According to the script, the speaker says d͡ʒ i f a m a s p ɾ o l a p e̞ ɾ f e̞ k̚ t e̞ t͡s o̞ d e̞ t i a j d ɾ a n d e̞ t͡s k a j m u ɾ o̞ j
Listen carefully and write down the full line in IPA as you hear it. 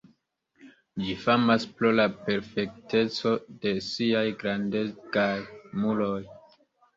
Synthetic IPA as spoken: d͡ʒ i f a m a s p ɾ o l a p e̞ ɾ f e̞ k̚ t e̞ t͡s o̞ d e̞ s i a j ɡ ɾ a n d e̞ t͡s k a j m u l o̞ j